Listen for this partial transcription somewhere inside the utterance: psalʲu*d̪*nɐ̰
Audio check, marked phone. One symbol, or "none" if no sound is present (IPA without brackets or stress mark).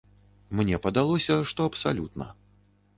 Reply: t̪